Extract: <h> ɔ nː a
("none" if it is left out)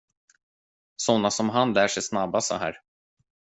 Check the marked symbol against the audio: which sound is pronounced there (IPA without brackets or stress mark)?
s